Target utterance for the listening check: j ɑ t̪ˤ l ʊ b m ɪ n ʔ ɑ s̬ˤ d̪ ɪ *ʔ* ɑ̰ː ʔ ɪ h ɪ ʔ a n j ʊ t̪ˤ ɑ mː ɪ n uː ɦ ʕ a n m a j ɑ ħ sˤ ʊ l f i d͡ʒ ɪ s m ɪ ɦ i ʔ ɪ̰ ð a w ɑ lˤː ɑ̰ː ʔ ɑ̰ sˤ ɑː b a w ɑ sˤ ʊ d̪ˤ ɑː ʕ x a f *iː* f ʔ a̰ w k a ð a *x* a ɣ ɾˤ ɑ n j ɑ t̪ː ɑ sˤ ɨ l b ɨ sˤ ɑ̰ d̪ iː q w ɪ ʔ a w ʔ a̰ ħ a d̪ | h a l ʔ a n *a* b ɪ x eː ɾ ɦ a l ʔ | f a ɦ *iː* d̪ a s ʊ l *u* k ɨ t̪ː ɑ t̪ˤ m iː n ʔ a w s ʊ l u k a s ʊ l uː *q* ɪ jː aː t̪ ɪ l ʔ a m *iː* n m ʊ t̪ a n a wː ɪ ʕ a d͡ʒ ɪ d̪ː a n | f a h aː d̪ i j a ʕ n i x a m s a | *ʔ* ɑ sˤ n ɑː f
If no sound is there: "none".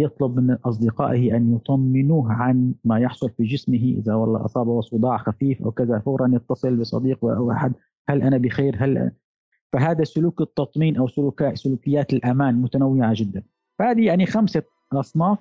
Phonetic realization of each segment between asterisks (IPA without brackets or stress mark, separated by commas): q, iː, f, a, aː, uː, k, aː, ʔ